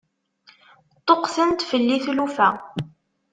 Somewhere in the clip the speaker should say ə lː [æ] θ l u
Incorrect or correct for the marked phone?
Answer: incorrect: i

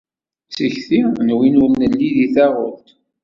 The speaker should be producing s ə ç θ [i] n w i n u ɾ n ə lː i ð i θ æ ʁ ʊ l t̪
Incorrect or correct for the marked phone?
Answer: correct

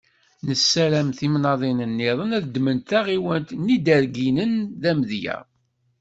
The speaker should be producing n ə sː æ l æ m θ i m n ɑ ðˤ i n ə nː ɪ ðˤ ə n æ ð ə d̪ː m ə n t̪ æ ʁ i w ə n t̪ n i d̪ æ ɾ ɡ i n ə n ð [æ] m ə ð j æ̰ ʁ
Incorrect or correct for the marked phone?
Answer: correct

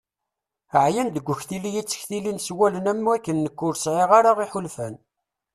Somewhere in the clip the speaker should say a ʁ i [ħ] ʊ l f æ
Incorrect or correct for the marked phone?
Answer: correct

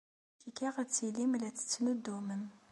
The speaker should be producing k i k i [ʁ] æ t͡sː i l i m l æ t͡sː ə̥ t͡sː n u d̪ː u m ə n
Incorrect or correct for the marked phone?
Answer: correct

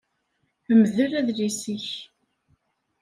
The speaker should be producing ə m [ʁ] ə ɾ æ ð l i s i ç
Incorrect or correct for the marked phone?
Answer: incorrect: ð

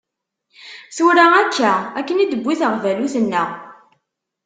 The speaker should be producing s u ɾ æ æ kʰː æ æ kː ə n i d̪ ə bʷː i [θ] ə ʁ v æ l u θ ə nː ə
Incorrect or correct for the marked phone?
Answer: correct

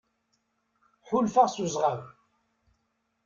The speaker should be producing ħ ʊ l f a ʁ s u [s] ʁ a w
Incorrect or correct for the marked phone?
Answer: incorrect: z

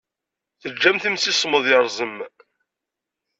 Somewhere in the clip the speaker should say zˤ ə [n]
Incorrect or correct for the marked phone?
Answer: incorrect: m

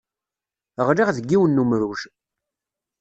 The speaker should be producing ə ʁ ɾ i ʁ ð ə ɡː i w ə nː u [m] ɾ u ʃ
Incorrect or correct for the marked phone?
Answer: correct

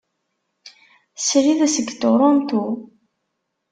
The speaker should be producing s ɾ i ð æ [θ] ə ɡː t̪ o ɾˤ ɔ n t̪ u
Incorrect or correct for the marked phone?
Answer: incorrect: s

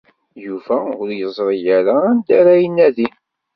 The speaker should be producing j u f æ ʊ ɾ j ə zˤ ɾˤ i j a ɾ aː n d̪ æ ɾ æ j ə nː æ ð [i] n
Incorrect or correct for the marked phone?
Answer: correct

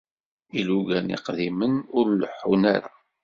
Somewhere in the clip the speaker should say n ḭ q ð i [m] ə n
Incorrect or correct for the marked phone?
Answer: correct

